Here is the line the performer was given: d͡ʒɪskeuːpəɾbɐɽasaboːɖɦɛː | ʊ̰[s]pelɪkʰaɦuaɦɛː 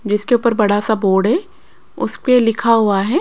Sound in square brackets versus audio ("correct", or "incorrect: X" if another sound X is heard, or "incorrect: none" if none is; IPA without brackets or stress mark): correct